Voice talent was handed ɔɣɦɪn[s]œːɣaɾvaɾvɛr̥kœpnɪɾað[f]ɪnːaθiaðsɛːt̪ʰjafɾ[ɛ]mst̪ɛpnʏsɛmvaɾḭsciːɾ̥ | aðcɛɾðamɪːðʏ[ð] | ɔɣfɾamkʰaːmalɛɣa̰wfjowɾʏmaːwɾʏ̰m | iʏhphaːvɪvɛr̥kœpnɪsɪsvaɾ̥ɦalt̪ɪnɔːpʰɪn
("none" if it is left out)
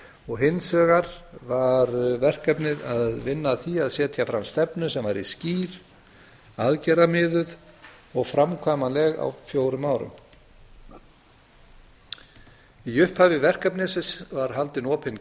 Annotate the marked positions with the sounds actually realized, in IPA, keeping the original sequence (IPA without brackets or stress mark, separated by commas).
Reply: s, v, a, ð